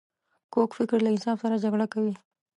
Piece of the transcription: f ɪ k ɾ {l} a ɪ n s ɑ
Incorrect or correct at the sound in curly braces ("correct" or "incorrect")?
correct